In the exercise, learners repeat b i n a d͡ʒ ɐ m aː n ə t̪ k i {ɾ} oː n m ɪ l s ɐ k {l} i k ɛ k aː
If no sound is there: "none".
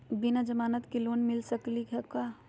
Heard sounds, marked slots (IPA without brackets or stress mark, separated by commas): l, l